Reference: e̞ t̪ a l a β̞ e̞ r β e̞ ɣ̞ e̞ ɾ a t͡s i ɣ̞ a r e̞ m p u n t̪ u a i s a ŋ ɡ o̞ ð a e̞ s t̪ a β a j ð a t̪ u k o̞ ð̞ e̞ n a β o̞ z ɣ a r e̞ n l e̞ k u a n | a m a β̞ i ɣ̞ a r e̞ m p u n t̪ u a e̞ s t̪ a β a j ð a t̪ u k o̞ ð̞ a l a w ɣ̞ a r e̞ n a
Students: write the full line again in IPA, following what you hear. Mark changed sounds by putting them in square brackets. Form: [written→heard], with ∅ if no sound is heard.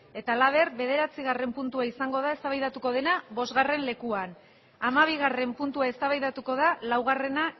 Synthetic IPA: e̞ t̪ a l a β̞ e̞ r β e̞ [ɣ̞→ð̞] e̞ ɾ a t͡s i ɣ̞ a r e̞ m p u n t̪ u a i s a ŋ ɡ o̞ ð a e̞ s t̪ a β a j ð a t̪ u k o̞ ð̞ e̞ n a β o̞ z ɣ a r e̞ n l e̞ k u a n | a m a β̞ i ɣ̞ a r e̞ m p u n t̪ u a e̞ s t̪ a β a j ð a t̪ u k o̞ ð̞ a l a w ɣ̞ a r e̞ n a